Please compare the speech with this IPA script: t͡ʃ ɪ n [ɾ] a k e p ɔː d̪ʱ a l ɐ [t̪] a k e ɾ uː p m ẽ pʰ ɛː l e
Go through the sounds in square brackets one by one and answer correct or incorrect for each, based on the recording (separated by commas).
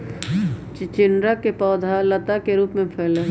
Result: correct, correct